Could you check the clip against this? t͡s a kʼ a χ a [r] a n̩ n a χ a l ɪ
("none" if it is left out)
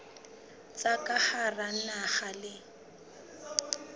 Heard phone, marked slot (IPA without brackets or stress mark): r